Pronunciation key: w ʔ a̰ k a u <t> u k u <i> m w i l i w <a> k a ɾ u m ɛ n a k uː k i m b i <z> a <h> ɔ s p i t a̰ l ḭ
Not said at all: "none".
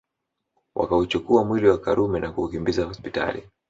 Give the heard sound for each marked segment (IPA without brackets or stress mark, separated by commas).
t͡ʃ, a, a, z, h